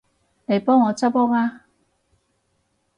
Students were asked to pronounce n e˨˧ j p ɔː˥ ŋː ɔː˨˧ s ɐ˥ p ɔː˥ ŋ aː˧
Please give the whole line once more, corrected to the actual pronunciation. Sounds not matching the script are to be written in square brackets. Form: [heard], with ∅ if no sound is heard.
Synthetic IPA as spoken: n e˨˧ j p ɔː˥ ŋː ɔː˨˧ [t͡s] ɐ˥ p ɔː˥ ŋ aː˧